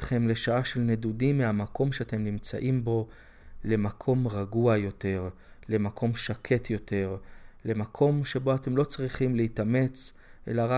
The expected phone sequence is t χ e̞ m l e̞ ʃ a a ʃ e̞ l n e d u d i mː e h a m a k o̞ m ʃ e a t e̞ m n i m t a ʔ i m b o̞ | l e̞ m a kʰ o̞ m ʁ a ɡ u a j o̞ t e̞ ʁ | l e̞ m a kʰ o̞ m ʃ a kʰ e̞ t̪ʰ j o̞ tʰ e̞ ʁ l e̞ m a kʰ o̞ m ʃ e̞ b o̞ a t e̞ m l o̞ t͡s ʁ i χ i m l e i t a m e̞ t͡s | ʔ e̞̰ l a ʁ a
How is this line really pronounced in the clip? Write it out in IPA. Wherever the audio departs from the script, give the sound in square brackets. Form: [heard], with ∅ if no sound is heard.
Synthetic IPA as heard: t χ e̞ m l e̞ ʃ a a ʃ e̞ l n e d u d i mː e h a m a k o̞ m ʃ e a t e̞ m n i m [t͡s] a ʔ i m b o̞ | l e̞ m a kʰ o̞ m ʁ a ɡ u a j o̞ t e̞ ʁ | l e̞ m a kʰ o̞ m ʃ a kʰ e̞ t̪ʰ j o̞ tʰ e̞ ʁ l e̞ m a kʰ o̞ m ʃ e̞ b o̞ a t e̞ m l o̞ t͡s ʁ i χ i m l e i t a m e̞ t͡s | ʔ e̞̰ l a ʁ a